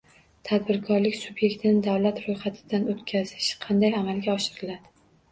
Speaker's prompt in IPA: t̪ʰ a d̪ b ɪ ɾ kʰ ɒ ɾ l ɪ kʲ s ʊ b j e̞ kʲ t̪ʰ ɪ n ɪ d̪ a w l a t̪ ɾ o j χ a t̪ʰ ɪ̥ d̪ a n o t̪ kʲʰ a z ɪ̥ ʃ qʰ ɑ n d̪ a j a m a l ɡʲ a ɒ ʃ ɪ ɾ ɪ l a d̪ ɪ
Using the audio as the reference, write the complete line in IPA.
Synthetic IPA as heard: t̪ʰ a d̪ b ɪ ɾ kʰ ɒ ɾ l ɪ kʲ s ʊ b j e̞ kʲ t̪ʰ ɪ n ɪ d̪ a w l a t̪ ɾ o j χ a t̪ʰ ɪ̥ d̪ a n o t̪ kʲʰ a z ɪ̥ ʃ qʰ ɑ n d̪ a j a m a l ɡʲ a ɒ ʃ ɪ ɾ ɪ l a d̪ ɪ

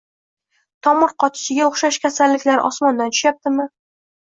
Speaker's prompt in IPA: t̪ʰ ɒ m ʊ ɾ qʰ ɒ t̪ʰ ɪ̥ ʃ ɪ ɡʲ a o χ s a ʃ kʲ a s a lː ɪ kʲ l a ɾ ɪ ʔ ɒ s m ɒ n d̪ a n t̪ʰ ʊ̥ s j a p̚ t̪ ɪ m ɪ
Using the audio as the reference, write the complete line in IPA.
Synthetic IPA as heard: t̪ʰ ɒ m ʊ ɾ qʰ ɒ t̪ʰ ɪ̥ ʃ ɪ ɡʲ a o χ ʃ a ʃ kʲ a s a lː ɪ kʲ l a ɾ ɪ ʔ ɒ s m ɒ n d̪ a n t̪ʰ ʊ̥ ʃ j a p̚ t̪ ɪ m ɪ

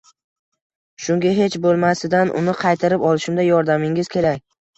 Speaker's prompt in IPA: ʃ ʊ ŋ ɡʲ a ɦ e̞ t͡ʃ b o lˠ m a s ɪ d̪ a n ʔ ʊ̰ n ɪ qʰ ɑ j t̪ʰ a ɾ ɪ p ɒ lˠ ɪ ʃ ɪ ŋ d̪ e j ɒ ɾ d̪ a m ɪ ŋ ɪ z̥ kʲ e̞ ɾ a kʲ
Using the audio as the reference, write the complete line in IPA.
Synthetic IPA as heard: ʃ ʊ ŋ ɡʲ a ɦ e̞ t͡ʃ b o lˠ m a s ɪ d̪ a n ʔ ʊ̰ n ɪ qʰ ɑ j t̪ʰ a ɾ ɪ p ɒ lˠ ɪ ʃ ɪ m d̪ a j ɒ ɾ d̪ a m ɪ ŋ ɪ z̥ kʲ e̞ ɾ a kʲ

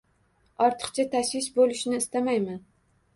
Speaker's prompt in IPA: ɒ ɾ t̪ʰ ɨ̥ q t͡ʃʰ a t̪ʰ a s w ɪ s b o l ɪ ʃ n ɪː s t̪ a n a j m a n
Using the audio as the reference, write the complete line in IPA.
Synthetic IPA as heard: ɒ ɾ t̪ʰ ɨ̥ q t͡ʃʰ a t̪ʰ a ʃ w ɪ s b o l ɪ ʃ n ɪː s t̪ a m a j m a n

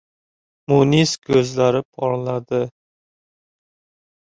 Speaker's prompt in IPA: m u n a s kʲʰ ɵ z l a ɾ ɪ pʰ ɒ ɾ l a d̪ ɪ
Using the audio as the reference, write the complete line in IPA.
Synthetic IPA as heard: m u n i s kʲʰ ɵ z l a ɾ ɪ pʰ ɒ ɾ l a d̪ ɪ

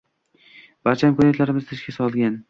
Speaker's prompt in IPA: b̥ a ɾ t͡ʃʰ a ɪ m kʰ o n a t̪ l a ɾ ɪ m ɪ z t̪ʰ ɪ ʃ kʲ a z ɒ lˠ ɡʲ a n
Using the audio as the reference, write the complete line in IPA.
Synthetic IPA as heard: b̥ a ɾ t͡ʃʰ a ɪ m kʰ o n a t̪ l a ɾ ɪ m ɪ z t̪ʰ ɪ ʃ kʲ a s ɒ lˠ ɡʲ a n

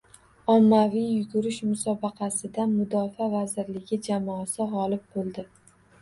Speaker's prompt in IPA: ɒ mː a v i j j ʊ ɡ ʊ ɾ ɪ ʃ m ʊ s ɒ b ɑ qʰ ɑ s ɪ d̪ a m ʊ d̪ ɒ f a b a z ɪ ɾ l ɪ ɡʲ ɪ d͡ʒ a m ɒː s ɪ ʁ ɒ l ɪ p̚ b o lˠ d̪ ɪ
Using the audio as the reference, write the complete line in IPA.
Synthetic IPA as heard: ɒ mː a v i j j ʊ ɡ ʊ ɾ ɪ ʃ m ʊ s ɒ b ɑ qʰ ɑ s ɪ d̪ a m ʊ d̪ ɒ f a v a z ɪ ɾ l ɪ ɡʲ ɪ d͡ʒ a m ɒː s ɪ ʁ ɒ l ɪ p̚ b o lˠ d̪ ɪ

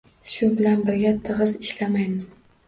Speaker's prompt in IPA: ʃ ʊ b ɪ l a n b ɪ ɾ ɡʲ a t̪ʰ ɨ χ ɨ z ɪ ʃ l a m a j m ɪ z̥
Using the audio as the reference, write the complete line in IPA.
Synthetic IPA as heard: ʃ ʊ b ɪ l a n b ɪ ɾ ɡʲ a t̪ʰ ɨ ʁ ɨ z ɪ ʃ l a m a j m ɪ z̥

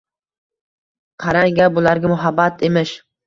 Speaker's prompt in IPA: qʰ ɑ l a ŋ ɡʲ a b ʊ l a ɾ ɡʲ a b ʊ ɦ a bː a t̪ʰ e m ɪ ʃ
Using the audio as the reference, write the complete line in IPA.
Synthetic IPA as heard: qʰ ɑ ɾ a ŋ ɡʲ a b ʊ l a ɾ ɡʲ a m ʊ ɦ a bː a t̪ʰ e m ɪ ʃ

